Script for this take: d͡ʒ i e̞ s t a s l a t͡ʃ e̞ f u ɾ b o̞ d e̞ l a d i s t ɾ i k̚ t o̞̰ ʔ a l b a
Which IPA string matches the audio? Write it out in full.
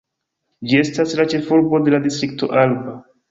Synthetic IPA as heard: d͡ʒ i e̞ s t a s l a t͡ʃ e̞ f u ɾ b o̞ d e̞ l a d i s t ɾ i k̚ t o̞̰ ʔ a l b a